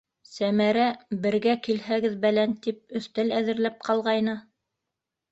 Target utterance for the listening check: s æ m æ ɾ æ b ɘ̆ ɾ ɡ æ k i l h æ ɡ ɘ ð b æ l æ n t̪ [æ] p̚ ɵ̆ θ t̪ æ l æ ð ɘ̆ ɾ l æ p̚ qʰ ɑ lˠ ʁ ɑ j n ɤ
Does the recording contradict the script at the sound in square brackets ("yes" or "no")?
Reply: yes